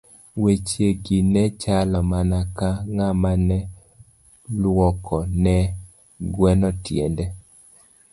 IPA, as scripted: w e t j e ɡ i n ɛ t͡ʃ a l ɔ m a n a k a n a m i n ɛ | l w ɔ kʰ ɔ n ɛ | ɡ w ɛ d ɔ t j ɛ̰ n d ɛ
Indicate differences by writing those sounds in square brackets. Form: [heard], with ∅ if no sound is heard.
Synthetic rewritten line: w e [t͡ʃ] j e ɡ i n ɛ t͡ʃ a l ɔ m a n a k a [ŋ] a m [a] n ɛ | l w ɔ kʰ ɔ n ɛ | ɡ w ɛ [n] ɔ t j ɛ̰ n d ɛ